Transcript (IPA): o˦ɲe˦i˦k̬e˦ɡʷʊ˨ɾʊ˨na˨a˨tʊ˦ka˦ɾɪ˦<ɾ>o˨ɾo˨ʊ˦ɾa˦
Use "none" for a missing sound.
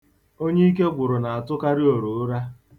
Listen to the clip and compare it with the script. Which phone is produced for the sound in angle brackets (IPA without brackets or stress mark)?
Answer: none